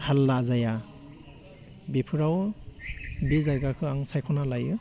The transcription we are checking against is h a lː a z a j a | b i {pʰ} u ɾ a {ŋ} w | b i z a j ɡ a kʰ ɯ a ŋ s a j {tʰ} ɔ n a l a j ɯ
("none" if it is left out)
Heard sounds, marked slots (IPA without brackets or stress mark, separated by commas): pʰ, none, kʰ